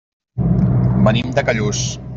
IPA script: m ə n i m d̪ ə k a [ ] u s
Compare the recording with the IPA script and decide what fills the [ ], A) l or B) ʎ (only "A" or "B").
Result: B